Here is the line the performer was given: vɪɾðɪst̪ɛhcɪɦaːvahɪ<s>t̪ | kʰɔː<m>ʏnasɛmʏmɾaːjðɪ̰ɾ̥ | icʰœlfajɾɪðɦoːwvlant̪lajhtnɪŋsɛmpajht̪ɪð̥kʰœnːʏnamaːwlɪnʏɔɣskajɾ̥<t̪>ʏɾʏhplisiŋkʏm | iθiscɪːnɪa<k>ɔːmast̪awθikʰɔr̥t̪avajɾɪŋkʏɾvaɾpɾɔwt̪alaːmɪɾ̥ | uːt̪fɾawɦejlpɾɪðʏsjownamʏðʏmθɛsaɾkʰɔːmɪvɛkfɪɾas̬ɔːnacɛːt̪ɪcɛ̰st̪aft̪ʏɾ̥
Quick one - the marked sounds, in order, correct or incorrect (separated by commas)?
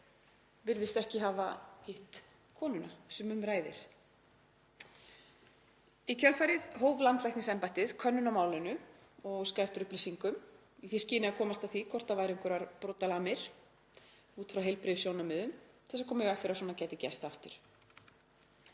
incorrect, incorrect, correct, incorrect